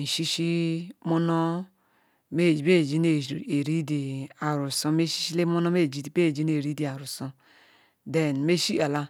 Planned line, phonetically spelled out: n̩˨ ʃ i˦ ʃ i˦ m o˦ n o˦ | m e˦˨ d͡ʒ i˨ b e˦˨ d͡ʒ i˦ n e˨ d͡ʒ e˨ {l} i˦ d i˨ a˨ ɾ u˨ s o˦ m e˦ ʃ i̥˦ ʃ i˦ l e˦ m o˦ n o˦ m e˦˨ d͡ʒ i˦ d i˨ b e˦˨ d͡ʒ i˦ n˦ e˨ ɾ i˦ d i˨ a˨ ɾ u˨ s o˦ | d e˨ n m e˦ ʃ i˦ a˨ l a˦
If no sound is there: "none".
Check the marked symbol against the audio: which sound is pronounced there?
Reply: ɾ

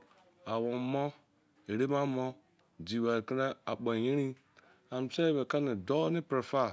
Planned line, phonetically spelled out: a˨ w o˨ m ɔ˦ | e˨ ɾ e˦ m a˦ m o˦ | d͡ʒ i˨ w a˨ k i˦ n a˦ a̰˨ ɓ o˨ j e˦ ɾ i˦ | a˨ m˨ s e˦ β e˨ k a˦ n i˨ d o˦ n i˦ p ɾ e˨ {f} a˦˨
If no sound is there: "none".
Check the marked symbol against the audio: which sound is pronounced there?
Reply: f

